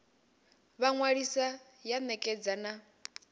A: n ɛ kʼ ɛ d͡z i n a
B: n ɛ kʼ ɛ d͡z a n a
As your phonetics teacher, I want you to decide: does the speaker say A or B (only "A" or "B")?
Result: B